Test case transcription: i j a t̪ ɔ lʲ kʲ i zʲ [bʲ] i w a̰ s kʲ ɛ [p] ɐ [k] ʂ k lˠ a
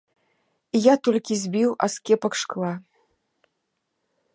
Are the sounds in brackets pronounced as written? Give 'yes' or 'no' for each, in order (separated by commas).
yes, yes, yes